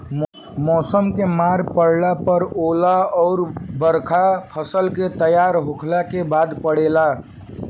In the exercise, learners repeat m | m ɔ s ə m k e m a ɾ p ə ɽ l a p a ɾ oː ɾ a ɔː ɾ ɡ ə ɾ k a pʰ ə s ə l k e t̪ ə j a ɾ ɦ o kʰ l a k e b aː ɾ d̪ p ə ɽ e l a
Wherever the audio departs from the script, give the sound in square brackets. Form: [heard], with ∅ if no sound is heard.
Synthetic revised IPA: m | m ɔ s ə m k e m a ɾ p ə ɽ l a p [ə] ɾ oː [l] a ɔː ɾ [b] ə ɾ [kʰ] a pʰ ə s ə l k e t̪ ə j a ɾ ɦ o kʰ l a k e b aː [∅] d̪ p ə ɽ e l a